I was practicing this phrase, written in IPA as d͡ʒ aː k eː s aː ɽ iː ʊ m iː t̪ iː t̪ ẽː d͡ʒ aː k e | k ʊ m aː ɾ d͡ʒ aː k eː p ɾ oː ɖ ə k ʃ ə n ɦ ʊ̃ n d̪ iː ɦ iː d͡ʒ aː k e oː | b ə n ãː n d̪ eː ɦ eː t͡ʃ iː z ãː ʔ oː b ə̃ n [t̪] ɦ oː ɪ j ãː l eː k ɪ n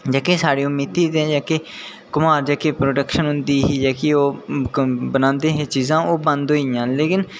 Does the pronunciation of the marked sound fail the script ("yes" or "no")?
yes